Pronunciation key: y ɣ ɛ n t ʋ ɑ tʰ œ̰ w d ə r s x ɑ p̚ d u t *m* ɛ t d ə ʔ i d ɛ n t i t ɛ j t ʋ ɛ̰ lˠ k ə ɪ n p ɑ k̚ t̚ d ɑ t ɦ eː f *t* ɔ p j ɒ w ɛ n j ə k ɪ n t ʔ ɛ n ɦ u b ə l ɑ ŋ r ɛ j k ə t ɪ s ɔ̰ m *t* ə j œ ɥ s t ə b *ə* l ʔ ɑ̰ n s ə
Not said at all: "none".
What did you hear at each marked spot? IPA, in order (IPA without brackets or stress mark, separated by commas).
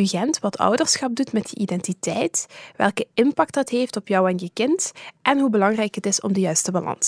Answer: m, t, d, ɑ